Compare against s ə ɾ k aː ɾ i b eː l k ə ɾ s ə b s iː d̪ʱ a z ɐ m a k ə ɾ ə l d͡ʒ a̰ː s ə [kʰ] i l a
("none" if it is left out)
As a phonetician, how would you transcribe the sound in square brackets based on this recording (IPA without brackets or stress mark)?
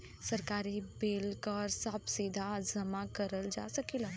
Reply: k